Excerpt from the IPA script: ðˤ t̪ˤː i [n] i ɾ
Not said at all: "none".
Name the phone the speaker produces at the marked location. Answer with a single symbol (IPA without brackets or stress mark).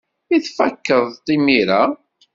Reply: m